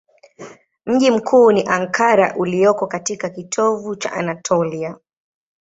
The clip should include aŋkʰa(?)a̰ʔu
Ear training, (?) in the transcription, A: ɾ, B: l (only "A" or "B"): A